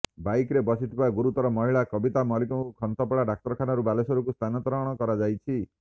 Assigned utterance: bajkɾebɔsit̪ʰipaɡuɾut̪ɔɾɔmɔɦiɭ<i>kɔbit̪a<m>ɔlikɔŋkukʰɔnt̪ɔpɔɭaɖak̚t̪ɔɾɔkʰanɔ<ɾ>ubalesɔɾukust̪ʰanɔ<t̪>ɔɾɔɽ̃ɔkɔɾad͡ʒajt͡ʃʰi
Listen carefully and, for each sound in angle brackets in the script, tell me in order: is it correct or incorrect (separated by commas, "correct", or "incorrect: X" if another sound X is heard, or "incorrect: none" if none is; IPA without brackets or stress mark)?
incorrect: a, correct, correct, correct